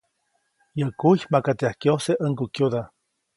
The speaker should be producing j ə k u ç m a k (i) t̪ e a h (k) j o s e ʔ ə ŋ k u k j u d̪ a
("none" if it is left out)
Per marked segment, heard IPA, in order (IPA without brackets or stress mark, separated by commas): a, k